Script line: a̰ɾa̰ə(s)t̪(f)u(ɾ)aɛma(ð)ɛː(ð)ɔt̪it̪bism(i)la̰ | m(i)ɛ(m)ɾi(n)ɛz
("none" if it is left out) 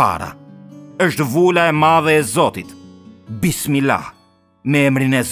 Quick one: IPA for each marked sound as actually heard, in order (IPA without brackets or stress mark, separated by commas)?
ʃ, v, l, ð, z, i, ɛ, m, n